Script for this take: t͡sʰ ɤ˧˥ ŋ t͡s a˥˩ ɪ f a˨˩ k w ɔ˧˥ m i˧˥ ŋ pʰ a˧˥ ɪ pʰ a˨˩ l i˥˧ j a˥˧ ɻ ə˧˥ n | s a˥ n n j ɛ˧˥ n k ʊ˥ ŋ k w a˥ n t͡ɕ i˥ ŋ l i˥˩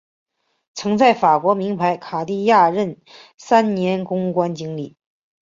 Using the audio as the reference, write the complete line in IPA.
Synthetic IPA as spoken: t͡sʰ ɤ˧˥ ŋ t͡s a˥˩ ɪ f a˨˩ k w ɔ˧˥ m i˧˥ ŋ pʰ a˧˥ ɪ kʰ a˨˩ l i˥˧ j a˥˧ ɻ ə˥˩ n | s a˥ n n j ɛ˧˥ n k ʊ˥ ŋ k w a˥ n t͡ɕ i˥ ŋ l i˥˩

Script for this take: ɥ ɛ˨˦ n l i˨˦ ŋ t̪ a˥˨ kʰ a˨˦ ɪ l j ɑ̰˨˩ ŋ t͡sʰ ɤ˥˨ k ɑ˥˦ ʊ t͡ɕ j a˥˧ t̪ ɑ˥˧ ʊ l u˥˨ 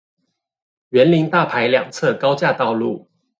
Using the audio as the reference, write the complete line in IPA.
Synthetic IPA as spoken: ɥ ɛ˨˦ n l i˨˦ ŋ t̪ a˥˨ pʰ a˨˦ ɪ l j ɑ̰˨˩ ŋ t͡sʰ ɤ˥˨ k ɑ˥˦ ʊ t͡ɕ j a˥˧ t̪ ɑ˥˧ ʊ l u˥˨

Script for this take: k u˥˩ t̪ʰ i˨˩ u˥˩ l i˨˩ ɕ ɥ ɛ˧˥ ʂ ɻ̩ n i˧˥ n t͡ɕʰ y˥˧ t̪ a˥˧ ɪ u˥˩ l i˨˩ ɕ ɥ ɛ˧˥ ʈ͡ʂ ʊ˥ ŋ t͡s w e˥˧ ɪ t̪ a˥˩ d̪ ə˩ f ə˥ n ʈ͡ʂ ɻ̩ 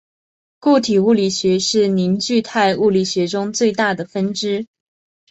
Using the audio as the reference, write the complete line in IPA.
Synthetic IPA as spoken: k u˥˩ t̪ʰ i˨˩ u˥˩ l i˨˩ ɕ ɥ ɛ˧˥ ʂ ɻ̩ n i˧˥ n t͡ɕ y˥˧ t̪ʰ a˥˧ ɪ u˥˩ l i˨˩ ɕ ɥ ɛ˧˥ ʈ͡ʂ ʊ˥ ŋ t͡s w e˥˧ ɪ t̪ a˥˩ d̪ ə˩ f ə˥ n ʈ͡ʂ ɻ̩

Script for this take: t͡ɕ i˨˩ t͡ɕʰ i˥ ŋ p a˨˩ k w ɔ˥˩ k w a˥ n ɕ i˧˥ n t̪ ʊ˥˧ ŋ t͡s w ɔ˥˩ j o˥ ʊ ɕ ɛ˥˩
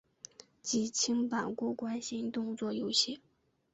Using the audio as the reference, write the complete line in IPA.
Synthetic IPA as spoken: t͡ɕ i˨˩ t͡ɕʰ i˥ ŋ p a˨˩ k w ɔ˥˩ k w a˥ n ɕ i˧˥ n t̪ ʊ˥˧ ŋ t͡s w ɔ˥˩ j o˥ ʊ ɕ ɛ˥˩

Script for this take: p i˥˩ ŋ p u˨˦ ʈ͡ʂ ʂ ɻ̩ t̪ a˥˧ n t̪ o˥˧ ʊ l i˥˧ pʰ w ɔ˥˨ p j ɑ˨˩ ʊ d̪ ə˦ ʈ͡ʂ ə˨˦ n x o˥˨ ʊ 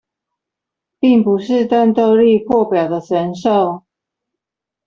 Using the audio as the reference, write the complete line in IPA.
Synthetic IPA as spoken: p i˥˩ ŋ p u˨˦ ʂ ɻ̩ t̪ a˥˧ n t̪ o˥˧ ʊ l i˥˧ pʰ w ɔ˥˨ p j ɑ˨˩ ʊ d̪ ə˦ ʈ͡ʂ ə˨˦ n ʂ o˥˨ ʊ

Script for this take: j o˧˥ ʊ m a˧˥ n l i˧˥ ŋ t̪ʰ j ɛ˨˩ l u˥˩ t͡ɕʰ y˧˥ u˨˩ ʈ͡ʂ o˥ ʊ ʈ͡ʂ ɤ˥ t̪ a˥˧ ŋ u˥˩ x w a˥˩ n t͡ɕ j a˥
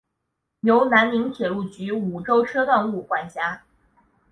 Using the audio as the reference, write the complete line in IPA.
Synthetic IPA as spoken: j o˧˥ ʊ n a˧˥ n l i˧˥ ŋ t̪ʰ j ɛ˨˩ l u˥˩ t͡ɕ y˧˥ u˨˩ ʈ͡ʂ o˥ ʊ ʈ͡ʂʰ ɤ˥ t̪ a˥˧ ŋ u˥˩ k w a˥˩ n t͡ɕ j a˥

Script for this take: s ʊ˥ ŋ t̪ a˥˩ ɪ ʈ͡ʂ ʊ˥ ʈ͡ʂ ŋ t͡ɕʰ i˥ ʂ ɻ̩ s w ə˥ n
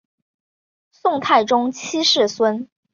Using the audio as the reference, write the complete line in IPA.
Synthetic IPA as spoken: s ʊ˥˧ ŋ t̪ʰ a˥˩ ɪ ʈ͡ʂ ʊ˥ ŋ t͡ɕʰ i˥ ʂ ɻ̩ s w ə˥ n

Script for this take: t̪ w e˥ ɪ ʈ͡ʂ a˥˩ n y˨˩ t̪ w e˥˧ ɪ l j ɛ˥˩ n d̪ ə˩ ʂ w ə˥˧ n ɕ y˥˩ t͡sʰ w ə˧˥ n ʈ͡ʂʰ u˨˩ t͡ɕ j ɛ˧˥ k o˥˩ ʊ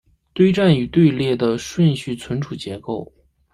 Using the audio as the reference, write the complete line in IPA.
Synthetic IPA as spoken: t̪ w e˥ ɪ ʈ͡ʂ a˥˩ n y˨˩ t̪ w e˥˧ ɪ l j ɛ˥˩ d̪ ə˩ ʂ w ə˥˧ n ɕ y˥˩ t͡sʰ w ə˧˥ n ʈ͡ʂʰ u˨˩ t͡ɕ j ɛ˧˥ k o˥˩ ʊ

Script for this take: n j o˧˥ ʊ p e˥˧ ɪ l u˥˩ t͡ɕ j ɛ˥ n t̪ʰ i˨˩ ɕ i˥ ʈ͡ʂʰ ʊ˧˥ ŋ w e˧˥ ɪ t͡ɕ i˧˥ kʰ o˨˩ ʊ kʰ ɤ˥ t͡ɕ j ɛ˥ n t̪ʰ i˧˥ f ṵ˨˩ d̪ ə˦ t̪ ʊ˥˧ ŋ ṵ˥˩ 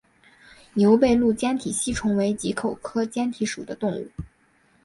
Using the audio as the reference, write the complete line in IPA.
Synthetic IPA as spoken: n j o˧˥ ʊ p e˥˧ ɪ l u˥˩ t͡ɕ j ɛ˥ n t̪ʰ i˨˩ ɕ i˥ ʈ͡ʂʰ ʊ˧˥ ŋ w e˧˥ ɪ t͡ɕ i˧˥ kʰ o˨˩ ʊ kʰ ɤ˥ t͡ɕ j ɛ˥ n t̪ʰ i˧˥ ʂ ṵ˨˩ d̪ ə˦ t̪ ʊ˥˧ ŋ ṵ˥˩

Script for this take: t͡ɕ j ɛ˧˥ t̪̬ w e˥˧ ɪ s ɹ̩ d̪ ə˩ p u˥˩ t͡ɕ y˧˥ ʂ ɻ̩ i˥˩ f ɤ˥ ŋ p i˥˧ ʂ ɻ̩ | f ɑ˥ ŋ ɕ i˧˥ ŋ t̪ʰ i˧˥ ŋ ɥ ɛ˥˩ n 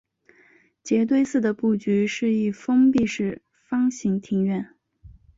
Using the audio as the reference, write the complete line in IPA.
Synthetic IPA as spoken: t͡ɕ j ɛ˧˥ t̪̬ w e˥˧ ɪ s ɹ̩ d̪ ə˩ p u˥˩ t͡ɕ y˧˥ ʂ ɻ̩ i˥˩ f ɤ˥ ŋ p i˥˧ ʂ ɻ̩ | f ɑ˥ ŋ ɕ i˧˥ ŋ t̪ʰ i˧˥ ŋ ɥ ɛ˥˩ n

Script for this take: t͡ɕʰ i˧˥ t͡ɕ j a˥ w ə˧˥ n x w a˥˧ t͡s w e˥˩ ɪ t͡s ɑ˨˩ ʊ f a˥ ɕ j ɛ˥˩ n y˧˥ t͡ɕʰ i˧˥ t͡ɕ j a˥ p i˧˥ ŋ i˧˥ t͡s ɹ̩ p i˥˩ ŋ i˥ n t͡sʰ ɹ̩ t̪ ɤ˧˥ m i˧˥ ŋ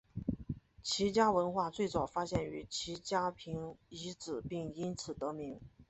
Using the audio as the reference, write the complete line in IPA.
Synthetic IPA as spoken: t͡ɕʰ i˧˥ t͡ɕ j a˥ w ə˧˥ n x w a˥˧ t͡s w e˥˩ ɪ t͡s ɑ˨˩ ʊ f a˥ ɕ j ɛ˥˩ n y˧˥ t͡ɕʰ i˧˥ t͡ɕ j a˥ pʰ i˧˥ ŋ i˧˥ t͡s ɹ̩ p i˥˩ ŋ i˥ n t͡sʰ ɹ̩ t̪ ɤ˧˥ m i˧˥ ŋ

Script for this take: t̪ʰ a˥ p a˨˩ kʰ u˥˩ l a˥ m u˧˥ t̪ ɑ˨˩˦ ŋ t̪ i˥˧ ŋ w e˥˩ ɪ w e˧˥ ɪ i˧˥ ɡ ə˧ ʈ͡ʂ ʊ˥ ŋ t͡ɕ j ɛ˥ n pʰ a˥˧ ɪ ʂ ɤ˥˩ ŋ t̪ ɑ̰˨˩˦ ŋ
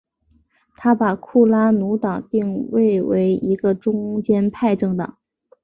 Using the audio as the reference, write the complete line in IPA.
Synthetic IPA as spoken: t̪ʰ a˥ p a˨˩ kʰ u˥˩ l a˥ n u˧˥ t̪ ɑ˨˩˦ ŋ t̪ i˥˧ ŋ w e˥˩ ɪ w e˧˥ ɪ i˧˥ ɡ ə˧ ʈ͡ʂ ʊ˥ ŋ t͡ɕ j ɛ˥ n pʰ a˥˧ ɪ ʈ͡ʂ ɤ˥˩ ŋ t̪ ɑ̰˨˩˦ ŋ

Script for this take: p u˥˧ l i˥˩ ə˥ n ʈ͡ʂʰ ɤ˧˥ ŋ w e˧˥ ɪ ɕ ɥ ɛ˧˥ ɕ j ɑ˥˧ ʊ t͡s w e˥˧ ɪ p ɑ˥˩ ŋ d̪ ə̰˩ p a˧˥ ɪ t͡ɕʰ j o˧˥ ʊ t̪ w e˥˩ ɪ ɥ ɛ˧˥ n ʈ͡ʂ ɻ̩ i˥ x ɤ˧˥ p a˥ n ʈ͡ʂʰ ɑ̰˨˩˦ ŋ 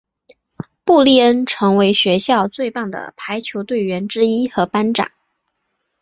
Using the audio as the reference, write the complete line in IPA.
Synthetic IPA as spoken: p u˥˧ l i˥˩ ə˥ n ʈ͡ʂʰ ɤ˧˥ ŋ w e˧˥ ɪ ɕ ɥ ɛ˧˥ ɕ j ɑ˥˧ ʊ t͡s w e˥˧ ɪ p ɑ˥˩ ŋ d̪ ə̰˩ pʰ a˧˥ ɪ t͡ɕʰ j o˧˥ ʊ t̪ w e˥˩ ɪ ɥ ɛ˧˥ n ʈ͡ʂ ɻ̩ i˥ x ɤ˧˥ p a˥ n ʈ͡ʂ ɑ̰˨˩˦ ŋ

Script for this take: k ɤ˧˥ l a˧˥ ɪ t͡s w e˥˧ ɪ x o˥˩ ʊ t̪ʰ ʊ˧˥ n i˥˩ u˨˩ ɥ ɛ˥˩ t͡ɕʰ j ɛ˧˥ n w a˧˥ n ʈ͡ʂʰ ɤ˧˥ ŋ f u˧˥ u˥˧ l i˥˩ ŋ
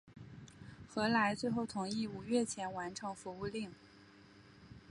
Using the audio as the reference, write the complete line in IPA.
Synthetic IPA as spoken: x ɤ˧˥ l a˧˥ ɪ t͡s w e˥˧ ɪ x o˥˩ ʊ t̪ʰ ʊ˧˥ ŋ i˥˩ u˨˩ ɥ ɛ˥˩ t͡ɕʰ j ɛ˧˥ n w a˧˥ n ʈ͡ʂʰ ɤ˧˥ ŋ f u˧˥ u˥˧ l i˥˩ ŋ

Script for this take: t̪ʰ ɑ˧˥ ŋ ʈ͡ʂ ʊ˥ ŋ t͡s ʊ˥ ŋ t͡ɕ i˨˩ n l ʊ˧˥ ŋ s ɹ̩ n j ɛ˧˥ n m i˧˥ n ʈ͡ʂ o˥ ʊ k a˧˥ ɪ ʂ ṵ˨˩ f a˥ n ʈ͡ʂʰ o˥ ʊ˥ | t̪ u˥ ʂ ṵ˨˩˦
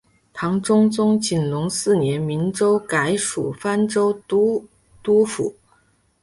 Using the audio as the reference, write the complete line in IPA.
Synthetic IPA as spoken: t̪ʰ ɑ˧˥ ŋ ʈ͡ʂ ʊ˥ ŋ t͡s ʊ˥ ŋ t͡ɕ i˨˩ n l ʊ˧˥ ŋ s ɹ̩ n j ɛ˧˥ n m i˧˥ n ʈ͡ʂ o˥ ʊ k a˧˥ ɪ ʂ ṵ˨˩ f a˥ n ʈ͡ʂ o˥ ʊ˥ | t̪ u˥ f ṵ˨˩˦

